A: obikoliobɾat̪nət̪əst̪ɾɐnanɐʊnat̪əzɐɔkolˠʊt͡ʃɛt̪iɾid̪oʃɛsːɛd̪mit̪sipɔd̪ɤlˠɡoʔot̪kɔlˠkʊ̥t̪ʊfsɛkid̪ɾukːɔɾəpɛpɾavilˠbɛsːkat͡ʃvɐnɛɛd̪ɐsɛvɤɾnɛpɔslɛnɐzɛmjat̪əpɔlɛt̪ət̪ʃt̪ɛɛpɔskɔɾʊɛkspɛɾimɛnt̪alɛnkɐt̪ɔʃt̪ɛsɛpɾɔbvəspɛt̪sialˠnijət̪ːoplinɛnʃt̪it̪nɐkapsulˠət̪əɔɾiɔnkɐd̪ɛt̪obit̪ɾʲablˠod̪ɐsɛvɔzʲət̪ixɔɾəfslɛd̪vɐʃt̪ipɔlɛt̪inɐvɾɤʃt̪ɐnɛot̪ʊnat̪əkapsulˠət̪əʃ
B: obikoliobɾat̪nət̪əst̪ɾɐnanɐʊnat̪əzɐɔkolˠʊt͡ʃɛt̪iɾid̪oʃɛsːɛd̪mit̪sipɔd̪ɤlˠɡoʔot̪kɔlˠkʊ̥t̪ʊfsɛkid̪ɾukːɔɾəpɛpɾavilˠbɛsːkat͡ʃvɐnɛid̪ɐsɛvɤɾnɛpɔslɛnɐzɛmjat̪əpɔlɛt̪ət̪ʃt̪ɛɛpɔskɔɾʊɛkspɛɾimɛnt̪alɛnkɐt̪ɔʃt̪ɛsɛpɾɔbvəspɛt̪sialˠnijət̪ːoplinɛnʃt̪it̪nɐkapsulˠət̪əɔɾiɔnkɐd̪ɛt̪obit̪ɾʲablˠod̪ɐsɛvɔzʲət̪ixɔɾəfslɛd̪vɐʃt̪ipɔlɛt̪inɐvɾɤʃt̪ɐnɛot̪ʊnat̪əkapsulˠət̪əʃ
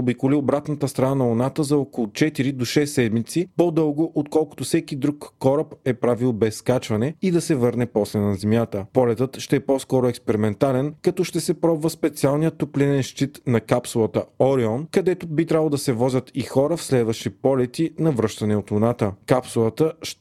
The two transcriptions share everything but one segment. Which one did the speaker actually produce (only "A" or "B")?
B